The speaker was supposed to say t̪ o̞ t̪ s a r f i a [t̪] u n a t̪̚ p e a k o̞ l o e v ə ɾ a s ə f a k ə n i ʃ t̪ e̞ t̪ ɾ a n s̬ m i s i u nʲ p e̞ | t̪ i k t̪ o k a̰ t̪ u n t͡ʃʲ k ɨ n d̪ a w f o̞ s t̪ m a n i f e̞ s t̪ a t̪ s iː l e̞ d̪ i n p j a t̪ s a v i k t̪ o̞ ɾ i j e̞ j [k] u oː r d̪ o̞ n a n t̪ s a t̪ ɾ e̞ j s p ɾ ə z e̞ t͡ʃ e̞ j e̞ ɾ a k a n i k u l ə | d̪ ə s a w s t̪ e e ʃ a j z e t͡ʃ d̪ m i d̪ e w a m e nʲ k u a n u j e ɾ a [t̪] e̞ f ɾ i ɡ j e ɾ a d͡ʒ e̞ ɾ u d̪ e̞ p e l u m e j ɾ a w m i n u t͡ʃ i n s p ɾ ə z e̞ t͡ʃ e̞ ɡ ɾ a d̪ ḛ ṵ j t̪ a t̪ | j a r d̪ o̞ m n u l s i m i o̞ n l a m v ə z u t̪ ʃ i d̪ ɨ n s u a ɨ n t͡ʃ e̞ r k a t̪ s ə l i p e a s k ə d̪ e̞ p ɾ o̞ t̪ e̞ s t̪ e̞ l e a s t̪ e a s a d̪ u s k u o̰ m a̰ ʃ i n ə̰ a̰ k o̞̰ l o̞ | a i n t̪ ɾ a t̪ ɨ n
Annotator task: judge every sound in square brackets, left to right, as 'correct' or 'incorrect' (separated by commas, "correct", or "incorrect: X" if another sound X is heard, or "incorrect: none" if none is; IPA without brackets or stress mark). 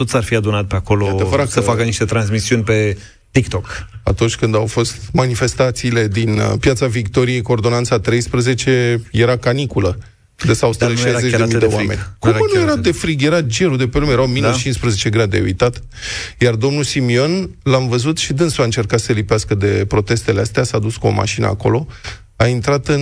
incorrect: d̪, correct, incorrect: d̪